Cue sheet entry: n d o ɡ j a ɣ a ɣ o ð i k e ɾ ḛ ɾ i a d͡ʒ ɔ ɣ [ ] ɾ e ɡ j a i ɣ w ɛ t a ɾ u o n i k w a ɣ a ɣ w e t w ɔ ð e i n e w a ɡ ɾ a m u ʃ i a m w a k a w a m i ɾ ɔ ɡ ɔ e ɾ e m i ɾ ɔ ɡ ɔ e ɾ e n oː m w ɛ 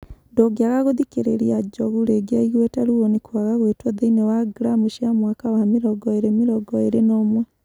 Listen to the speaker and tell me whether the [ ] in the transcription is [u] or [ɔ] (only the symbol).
u